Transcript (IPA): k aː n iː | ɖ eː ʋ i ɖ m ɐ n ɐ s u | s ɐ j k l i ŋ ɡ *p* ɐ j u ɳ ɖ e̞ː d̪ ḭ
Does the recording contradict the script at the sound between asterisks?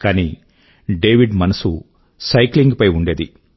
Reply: no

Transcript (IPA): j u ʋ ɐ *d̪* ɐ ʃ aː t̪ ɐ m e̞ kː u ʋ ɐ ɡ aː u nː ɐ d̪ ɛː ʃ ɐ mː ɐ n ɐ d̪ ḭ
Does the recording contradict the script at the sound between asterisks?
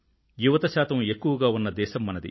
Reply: yes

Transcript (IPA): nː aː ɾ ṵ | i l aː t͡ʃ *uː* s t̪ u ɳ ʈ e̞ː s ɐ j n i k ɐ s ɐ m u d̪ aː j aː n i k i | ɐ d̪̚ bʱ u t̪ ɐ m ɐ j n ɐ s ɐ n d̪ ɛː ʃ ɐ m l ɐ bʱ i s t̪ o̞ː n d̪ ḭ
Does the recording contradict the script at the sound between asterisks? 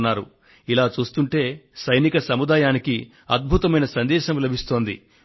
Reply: no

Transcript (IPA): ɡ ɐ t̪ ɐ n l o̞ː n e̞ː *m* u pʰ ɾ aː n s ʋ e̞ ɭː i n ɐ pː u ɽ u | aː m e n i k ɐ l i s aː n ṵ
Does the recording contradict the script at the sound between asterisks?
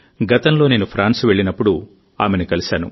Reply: yes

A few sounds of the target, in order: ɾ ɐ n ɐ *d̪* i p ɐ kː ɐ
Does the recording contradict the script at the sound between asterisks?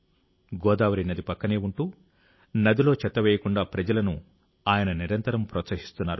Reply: no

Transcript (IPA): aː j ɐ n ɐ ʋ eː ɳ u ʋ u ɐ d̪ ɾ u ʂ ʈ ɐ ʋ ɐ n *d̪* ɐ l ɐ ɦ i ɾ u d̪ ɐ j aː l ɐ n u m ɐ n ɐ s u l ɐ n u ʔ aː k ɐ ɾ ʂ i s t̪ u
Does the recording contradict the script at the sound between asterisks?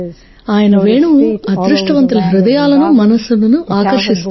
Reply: yes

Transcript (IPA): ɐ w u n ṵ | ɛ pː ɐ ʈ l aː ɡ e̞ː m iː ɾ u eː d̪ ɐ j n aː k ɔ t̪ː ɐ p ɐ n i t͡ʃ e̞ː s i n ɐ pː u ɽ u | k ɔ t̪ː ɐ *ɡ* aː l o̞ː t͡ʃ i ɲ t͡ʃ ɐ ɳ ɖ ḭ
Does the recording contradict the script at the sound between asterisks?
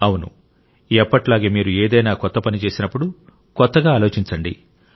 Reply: no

